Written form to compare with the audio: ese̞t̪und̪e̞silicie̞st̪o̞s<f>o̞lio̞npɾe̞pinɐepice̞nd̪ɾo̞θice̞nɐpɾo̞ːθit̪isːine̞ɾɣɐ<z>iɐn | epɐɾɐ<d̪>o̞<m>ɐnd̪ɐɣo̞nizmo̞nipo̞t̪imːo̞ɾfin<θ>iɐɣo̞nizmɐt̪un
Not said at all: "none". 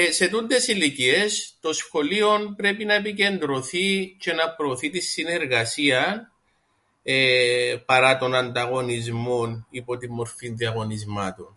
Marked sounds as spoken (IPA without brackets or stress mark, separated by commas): x, s, t̪, n, ð